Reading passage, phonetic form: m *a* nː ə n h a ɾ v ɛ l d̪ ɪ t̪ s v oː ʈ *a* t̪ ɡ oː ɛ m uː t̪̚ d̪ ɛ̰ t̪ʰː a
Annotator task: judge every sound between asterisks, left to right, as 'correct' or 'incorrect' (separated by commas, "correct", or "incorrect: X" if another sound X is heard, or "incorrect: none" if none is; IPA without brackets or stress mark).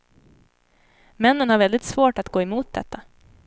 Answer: incorrect: ɛ, correct